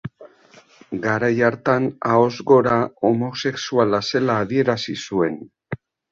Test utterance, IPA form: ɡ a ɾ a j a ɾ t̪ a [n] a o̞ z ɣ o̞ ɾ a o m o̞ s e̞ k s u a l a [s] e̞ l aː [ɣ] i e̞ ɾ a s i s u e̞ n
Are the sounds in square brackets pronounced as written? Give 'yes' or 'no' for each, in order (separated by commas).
yes, yes, no